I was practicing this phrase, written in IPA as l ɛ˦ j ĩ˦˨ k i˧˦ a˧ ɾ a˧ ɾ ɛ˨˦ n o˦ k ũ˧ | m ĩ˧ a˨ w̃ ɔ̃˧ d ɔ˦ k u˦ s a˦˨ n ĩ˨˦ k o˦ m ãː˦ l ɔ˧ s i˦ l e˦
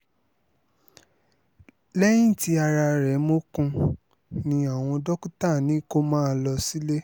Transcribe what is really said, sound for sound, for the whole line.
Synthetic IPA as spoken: l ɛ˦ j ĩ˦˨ t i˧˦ a˧ ɾ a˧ ɾ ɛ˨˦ m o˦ k ũ˧ | n ĩ˧ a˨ w̃ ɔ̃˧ d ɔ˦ k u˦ t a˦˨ n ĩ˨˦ k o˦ m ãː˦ l ɔ˧ s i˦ l e˦